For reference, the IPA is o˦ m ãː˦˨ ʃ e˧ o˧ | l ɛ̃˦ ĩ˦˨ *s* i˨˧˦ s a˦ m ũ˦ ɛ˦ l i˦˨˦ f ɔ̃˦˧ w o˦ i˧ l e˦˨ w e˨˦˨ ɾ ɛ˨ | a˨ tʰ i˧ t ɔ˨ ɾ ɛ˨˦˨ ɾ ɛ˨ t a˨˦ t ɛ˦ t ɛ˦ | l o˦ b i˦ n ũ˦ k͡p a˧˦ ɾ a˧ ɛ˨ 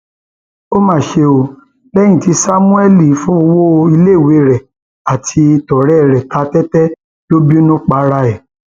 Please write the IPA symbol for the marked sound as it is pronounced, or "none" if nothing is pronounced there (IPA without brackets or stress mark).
t